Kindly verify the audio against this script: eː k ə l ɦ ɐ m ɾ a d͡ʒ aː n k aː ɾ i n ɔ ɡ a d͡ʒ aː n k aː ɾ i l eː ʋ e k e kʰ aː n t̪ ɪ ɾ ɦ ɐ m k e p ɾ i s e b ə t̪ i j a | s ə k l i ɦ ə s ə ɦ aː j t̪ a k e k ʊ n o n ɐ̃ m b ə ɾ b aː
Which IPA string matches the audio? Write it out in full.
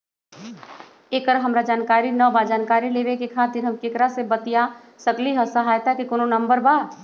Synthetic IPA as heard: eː k ə ɾ ɦ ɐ m ɾ a d͡ʒ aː n k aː ɾ i n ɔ b a d͡ʒ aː n k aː ɾ i l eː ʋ e k e kʰ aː t̪ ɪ ɾ ɦ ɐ m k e k ɾ a s e b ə t̪ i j a | s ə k l i ɦ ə s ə ɦ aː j t̪ a k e k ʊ n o n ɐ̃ m b ə ɾ b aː